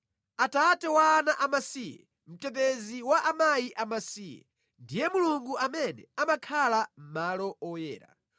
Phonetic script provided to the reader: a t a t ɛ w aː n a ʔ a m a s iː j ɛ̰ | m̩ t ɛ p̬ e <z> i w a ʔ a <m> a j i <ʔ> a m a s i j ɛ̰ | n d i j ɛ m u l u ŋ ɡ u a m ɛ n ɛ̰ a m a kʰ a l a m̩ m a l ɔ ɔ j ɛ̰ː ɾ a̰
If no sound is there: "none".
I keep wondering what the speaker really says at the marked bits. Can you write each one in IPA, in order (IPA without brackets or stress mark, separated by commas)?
z, m, ʔ